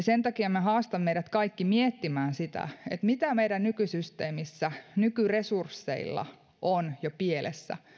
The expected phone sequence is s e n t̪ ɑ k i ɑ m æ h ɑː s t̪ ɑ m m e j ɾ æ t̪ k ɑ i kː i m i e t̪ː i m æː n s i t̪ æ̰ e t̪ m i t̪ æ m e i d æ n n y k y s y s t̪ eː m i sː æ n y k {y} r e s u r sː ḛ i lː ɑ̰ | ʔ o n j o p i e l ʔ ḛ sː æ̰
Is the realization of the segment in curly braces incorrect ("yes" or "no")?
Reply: no